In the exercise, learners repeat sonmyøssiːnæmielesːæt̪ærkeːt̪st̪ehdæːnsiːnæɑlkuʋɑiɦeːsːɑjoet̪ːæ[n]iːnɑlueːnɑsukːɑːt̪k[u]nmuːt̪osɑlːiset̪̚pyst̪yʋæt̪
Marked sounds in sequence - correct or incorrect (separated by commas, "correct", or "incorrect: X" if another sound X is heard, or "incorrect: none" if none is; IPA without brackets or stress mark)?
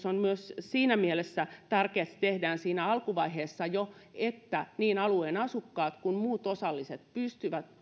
correct, correct